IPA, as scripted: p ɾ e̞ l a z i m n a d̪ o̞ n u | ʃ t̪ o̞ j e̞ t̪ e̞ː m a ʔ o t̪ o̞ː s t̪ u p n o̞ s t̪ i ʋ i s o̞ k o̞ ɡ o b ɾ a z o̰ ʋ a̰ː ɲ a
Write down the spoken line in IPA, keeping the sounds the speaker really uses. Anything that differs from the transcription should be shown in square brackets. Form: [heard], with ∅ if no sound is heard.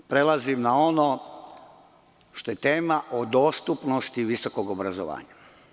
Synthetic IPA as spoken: p ɾ e̞ l a z i m n a [∅] o̞ n [o] | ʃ t̪ o̞ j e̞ t̪ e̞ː m a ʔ o [d̪] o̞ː s t̪ u p n o̞ s t̪ i ʋ i s o̞ k o̞ ɡ o b ɾ a z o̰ ʋ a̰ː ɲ a